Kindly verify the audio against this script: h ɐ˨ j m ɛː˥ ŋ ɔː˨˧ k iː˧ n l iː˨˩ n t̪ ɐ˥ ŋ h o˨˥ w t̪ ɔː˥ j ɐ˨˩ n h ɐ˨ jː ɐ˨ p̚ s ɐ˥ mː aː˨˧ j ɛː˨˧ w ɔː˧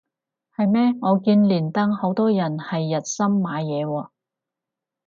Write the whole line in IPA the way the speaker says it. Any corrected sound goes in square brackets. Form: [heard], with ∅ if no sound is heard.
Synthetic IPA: h ɐ˨ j m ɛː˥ ŋ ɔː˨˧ k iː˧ n l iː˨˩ n t̪ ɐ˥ ŋ h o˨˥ w t̪ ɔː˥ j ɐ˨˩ n h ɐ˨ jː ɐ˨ [t̚] s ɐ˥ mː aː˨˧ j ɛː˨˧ w ɔː˧